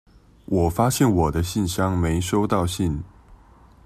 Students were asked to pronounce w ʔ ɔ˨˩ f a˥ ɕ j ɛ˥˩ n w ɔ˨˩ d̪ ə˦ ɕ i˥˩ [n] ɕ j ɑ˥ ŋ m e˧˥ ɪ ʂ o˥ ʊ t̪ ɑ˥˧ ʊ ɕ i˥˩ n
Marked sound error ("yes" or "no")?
no